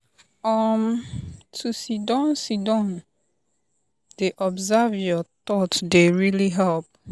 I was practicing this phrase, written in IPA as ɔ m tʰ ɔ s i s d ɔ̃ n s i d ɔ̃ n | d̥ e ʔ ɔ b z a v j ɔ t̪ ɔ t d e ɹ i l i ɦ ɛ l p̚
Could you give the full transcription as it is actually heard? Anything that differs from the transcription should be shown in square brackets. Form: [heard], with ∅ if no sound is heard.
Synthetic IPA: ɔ m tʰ [u] s i [∅] d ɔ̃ n s i d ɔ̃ n | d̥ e ʔ ɔ b z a v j ɔ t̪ ɔ t d e ɹ i l i ɦ ɛ l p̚